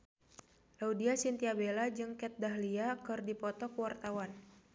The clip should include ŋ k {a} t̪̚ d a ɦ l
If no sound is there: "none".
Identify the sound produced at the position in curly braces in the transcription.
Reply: ɛ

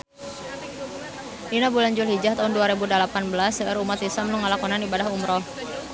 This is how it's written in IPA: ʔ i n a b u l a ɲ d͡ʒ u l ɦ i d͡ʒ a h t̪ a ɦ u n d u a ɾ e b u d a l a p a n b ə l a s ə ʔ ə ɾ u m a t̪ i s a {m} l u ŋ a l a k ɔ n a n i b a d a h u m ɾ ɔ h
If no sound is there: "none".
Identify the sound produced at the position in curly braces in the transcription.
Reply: m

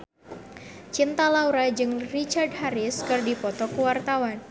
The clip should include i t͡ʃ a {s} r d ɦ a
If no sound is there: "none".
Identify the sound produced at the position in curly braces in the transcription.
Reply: none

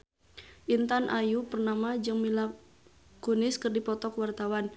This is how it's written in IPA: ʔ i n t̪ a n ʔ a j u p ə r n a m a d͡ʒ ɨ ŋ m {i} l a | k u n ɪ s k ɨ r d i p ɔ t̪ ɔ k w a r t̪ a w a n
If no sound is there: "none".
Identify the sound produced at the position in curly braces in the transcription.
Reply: i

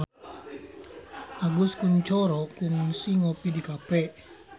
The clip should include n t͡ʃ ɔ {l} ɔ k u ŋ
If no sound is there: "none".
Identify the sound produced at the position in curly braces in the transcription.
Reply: ɾ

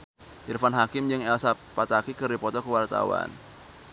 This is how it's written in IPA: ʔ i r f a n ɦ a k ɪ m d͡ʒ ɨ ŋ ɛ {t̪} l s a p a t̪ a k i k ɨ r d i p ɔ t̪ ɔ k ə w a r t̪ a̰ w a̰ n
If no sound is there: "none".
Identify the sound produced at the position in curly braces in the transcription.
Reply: none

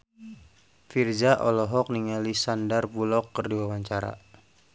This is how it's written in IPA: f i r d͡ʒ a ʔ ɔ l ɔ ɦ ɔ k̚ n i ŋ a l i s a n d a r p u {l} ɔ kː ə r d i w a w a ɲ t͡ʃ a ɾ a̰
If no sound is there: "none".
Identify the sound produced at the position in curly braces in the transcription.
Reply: l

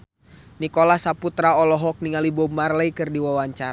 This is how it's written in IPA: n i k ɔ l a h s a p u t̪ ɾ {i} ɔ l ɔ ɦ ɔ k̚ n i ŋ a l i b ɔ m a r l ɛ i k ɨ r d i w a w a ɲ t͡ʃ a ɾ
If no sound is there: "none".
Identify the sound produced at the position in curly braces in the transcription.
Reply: a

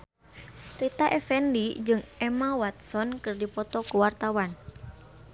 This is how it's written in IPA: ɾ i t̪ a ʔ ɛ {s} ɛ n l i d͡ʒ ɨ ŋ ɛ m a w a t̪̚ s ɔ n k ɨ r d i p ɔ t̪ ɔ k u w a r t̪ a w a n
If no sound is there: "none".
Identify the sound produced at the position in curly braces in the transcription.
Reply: f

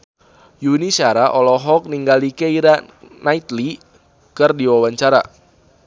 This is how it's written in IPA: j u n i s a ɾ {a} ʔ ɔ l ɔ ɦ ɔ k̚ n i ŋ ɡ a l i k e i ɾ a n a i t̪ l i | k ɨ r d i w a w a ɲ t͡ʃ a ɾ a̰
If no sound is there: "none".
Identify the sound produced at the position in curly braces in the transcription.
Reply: a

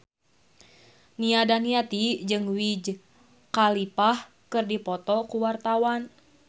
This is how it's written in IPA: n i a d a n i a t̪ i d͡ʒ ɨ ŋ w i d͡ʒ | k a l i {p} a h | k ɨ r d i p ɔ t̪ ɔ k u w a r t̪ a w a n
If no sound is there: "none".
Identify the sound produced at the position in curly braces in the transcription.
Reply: p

